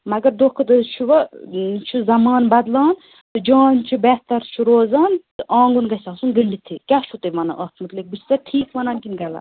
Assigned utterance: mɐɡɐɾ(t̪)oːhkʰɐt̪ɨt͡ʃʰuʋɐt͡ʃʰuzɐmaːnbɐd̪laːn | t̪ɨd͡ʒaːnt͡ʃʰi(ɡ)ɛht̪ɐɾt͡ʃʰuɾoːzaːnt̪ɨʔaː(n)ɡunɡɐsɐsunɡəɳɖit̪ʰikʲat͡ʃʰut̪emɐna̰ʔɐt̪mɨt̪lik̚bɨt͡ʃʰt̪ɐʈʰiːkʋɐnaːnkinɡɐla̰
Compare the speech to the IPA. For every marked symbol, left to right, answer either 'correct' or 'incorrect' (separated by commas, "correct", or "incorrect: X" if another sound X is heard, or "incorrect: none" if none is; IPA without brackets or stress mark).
incorrect: d̪, incorrect: b, incorrect: ŋ